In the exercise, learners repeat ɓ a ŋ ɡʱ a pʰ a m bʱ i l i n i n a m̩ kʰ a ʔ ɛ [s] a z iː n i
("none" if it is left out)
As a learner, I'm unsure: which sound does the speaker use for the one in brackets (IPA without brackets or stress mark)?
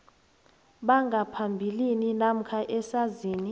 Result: s